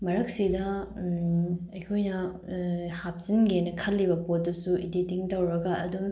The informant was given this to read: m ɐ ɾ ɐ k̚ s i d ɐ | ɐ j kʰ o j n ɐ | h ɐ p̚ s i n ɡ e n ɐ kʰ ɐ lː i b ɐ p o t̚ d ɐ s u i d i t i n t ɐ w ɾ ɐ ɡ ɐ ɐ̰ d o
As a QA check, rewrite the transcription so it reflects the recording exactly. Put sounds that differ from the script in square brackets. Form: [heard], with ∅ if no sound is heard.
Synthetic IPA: m ɐ ɾ ɐ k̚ s i d ɐ | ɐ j kʰ o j n ɐ | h [a] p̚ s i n ɡ e n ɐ kʰ ɐ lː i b ɐ p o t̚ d ɐ s u i d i t i [ŋ] t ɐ w ɾ ɐ ɡ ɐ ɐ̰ d [u]